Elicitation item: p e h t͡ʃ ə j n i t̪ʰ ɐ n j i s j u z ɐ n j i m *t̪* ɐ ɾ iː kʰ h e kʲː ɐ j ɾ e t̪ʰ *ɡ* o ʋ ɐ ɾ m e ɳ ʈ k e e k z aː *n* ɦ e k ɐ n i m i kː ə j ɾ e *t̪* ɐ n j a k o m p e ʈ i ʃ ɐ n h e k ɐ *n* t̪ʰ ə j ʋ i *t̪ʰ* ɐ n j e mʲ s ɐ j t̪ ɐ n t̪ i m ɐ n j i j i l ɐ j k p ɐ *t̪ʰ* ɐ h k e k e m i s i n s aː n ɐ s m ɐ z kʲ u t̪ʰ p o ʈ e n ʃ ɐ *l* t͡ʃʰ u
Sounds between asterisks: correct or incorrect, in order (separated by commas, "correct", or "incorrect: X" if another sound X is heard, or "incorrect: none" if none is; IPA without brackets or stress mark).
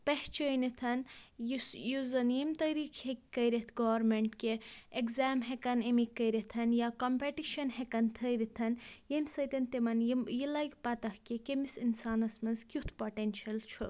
correct, correct, incorrect: m, incorrect: t̪ʰ, correct, correct, incorrect: t̪, correct